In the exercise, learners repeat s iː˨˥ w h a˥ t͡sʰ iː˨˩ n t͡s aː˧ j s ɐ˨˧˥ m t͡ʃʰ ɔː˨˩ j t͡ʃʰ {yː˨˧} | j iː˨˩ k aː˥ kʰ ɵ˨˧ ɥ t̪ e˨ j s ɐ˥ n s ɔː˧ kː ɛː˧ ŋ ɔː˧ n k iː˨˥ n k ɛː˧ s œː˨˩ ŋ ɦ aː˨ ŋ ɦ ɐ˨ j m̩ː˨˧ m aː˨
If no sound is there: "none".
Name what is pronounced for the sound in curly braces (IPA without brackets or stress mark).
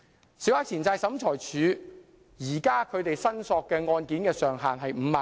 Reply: yː˨˧